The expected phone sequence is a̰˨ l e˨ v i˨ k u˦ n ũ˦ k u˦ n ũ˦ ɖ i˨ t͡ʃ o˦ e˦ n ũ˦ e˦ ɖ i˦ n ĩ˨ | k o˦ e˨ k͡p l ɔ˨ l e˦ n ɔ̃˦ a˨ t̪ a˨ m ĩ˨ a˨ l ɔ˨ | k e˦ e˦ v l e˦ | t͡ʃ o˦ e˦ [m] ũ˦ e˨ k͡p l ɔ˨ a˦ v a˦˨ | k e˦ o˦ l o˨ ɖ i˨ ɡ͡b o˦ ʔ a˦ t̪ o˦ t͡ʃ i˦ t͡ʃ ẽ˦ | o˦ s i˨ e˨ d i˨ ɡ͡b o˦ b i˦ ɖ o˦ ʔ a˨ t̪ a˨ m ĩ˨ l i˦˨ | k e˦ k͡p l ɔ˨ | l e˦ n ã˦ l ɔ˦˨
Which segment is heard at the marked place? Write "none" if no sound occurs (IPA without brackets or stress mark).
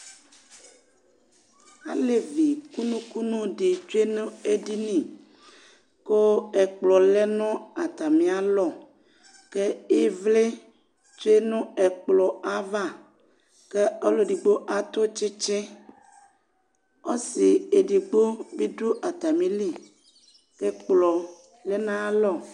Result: n